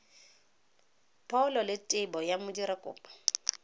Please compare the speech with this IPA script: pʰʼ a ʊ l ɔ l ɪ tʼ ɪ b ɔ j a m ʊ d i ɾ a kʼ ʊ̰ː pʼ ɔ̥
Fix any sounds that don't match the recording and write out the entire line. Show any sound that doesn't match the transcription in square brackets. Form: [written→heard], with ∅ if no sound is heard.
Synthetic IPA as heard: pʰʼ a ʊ l ɔ l ɪ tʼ ɪ b ɔ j a m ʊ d i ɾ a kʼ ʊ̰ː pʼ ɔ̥